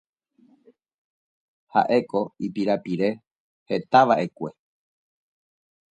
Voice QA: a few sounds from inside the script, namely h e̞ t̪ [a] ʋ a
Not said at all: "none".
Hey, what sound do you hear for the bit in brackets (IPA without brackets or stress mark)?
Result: a